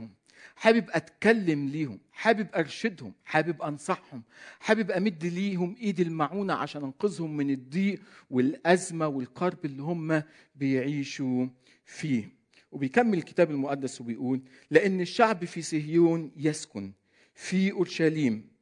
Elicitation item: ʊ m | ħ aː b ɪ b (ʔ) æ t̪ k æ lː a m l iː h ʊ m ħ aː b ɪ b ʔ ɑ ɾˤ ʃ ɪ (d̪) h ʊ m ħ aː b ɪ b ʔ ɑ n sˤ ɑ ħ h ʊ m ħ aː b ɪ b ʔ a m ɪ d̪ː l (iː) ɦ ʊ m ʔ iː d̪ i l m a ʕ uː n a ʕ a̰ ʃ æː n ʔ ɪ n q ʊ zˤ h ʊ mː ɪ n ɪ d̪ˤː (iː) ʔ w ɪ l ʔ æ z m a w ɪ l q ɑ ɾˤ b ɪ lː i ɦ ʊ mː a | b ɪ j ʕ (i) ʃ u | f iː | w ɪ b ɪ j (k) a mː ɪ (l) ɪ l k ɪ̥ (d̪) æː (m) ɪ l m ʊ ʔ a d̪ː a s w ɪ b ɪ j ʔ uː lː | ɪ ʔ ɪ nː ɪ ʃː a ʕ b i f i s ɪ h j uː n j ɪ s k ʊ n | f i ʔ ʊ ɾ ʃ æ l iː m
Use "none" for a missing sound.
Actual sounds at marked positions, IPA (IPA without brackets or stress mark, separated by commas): ʔ, d̪, iː, iː, iː, k, l, t̪, b